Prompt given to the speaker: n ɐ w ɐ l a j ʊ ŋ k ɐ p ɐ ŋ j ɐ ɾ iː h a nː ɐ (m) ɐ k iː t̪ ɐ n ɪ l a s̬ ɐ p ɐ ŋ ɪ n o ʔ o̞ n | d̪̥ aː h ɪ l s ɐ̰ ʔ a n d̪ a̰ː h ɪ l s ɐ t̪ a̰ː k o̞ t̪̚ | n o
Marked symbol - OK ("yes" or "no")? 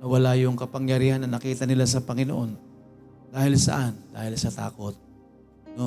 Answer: no